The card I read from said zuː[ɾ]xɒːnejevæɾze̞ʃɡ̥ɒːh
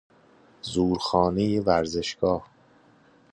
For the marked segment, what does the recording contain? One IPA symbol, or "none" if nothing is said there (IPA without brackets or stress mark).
ɾ